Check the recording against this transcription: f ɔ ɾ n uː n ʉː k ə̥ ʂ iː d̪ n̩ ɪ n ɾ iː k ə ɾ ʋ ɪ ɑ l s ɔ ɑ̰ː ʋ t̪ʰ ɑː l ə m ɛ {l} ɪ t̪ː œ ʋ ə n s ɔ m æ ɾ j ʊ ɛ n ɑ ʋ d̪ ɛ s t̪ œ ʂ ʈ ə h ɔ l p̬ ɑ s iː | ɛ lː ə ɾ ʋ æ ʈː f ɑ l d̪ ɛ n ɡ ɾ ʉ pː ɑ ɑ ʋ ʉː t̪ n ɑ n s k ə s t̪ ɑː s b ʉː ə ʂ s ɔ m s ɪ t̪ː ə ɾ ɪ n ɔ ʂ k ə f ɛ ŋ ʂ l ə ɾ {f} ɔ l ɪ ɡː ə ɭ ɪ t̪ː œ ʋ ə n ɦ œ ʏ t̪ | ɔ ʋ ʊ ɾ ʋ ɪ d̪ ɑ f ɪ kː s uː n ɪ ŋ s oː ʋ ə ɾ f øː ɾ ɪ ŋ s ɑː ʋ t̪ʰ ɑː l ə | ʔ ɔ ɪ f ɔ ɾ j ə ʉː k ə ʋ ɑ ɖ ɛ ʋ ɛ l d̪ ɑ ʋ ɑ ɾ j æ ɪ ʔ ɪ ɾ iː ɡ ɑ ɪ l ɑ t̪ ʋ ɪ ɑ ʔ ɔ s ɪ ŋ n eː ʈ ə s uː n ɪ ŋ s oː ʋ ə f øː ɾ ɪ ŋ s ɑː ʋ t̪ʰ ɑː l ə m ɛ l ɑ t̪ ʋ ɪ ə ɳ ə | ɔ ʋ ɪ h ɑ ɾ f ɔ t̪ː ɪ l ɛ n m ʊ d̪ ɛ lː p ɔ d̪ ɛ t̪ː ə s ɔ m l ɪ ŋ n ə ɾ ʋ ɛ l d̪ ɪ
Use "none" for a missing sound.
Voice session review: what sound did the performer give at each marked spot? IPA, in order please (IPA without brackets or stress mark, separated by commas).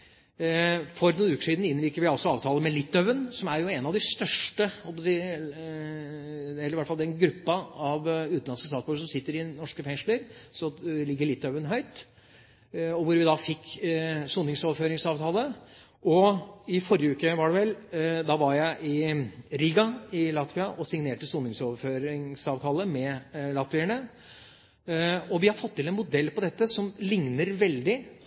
l, s